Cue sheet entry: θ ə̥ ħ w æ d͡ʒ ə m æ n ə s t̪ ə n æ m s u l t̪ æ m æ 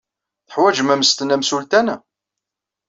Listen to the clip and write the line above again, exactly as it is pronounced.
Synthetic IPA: θ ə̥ ħ w æ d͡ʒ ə m æ m ə s t̪ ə n æ m s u l t̪ æ n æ